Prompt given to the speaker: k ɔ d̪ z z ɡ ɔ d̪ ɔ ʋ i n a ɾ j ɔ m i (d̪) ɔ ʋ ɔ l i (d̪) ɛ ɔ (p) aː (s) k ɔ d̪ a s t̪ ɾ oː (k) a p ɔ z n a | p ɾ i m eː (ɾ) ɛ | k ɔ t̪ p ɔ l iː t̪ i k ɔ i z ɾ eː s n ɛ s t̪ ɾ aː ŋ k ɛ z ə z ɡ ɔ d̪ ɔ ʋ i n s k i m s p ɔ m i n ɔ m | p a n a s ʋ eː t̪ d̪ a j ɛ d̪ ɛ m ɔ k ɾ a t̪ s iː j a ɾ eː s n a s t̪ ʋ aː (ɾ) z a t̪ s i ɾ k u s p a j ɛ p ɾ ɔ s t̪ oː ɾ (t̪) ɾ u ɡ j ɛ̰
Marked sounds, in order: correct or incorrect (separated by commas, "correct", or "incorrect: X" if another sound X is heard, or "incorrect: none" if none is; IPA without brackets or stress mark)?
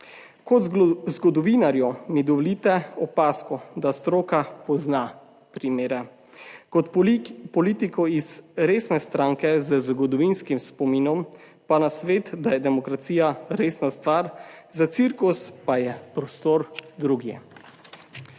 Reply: correct, incorrect: t̪, correct, correct, correct, correct, correct, incorrect: d̪